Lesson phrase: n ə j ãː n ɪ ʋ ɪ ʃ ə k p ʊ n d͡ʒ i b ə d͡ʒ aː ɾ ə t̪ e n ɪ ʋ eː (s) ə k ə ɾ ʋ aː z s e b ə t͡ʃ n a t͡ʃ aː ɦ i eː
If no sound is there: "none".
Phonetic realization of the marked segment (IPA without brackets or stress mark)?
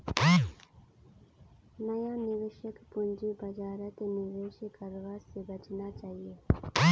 ʃ